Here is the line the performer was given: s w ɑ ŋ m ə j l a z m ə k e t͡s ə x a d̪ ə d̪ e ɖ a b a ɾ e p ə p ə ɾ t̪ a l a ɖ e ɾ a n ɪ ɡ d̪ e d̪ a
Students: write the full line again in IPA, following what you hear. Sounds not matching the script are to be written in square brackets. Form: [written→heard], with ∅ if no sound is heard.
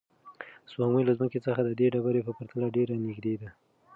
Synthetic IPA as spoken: s w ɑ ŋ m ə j l a z m ə k e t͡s ə x a d̪ ə d̪ e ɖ a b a ɾ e p ə p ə ɾ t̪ a l a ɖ e ɾ a n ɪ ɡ d̪ e d̪ a